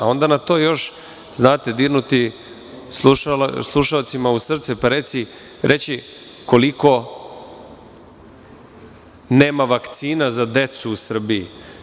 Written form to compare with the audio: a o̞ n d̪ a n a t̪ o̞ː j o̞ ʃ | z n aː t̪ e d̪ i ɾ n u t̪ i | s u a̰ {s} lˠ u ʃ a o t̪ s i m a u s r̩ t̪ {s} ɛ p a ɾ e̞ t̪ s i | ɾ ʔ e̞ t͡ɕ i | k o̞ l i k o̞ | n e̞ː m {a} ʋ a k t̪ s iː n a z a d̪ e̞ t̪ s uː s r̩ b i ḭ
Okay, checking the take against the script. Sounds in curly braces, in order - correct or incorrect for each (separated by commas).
correct, correct, correct